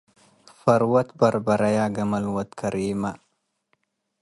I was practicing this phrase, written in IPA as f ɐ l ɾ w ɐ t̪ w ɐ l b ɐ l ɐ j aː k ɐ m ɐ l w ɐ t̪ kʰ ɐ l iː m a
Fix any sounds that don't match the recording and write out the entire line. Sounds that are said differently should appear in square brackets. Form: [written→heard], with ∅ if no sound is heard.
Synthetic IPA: f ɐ [l→∅] ɾ w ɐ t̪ [w→b] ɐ [l→ɾ] b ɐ [l→ɾ] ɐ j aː [k→ɡ] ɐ m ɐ l w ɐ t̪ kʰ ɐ [l→ɾ] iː m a